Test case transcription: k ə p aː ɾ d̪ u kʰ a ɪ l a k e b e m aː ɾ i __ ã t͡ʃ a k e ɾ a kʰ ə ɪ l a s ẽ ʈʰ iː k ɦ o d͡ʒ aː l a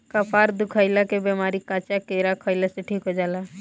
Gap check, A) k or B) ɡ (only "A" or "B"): A